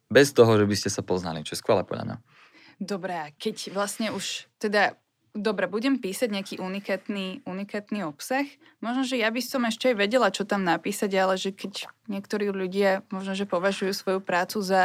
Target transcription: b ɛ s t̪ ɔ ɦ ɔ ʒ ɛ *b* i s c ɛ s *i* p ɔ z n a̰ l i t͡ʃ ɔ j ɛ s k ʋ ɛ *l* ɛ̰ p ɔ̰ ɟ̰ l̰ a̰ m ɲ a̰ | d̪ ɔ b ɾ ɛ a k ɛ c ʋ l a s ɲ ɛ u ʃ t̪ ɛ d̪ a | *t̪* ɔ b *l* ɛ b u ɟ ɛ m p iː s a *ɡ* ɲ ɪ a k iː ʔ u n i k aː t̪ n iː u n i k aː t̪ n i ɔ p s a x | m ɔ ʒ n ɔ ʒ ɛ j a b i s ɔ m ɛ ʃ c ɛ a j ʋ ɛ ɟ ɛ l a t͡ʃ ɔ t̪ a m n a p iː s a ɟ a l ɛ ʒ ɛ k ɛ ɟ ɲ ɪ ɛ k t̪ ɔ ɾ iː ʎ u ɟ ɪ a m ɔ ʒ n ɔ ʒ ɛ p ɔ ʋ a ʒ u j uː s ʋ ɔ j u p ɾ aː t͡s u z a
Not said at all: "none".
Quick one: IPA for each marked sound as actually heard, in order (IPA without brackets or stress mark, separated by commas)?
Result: b, a, l, d̪, ɾ, ɟ